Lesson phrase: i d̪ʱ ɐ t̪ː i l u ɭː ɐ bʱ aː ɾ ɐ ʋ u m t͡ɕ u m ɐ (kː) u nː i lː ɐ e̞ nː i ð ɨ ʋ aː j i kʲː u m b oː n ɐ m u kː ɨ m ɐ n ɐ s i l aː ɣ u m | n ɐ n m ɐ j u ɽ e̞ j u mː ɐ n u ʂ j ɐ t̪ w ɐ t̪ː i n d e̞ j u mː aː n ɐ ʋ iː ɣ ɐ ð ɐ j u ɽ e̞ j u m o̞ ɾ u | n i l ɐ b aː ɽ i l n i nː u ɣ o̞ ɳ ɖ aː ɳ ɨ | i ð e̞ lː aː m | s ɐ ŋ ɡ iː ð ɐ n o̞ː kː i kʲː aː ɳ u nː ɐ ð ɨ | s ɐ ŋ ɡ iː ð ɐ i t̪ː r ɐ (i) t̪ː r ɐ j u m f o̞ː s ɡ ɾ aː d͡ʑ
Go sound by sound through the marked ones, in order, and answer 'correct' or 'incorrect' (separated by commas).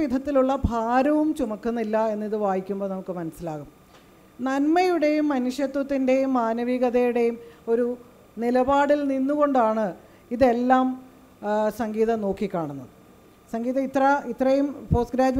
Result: correct, correct